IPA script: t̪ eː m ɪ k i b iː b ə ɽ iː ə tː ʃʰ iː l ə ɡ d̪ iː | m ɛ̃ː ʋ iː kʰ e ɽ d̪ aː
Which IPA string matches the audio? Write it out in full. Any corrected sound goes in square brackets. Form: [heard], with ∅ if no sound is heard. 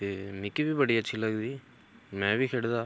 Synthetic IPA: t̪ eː m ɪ k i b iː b ə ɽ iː ə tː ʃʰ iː l ə ɡ d̪ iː | m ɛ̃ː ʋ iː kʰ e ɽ d̪ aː